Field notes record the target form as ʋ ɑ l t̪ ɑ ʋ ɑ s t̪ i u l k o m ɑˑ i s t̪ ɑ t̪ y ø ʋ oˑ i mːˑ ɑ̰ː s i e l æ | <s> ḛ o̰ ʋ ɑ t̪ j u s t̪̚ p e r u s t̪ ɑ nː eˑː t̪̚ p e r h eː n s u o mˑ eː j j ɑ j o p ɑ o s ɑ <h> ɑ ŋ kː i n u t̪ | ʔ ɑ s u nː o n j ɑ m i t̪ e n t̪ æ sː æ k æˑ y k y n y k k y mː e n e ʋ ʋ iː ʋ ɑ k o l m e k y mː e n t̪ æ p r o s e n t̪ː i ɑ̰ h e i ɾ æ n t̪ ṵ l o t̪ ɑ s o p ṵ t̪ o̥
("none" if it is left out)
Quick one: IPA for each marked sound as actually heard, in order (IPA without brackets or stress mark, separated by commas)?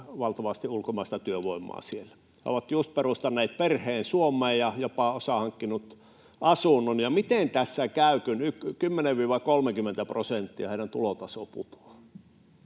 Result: h, h